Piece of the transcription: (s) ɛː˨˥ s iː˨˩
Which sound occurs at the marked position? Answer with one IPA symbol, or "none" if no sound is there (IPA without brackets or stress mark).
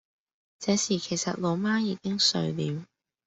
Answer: t͡s